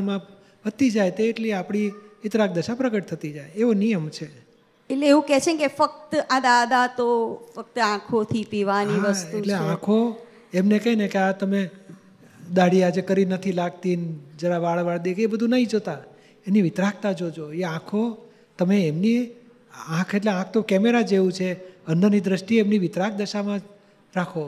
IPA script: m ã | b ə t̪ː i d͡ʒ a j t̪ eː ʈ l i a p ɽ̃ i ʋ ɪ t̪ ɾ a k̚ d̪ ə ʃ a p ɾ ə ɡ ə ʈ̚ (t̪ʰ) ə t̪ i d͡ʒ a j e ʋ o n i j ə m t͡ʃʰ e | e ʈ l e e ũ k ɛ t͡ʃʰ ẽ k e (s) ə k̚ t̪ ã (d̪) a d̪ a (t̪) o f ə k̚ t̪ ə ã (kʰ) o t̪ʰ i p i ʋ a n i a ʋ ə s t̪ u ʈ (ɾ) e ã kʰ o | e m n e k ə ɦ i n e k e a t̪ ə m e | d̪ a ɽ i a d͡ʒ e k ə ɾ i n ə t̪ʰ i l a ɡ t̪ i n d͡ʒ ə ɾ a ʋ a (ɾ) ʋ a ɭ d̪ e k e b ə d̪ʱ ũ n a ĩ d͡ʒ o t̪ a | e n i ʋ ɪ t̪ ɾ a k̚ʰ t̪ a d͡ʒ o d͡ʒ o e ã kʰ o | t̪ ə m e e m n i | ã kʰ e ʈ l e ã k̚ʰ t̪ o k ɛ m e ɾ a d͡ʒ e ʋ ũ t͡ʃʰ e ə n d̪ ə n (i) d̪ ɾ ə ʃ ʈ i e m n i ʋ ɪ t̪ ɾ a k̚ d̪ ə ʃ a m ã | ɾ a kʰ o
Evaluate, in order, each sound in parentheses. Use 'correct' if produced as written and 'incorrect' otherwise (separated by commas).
correct, incorrect, correct, correct, correct, incorrect, incorrect, correct